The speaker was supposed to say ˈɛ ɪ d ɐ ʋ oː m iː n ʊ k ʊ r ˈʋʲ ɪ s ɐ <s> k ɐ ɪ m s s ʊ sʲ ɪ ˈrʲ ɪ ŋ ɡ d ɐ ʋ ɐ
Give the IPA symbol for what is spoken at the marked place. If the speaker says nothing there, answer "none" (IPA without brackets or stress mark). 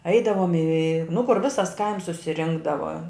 s